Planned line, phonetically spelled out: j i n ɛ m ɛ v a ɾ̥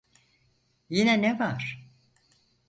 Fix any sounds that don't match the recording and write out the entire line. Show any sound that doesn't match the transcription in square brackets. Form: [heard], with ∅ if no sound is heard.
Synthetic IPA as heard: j i n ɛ [n] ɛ v a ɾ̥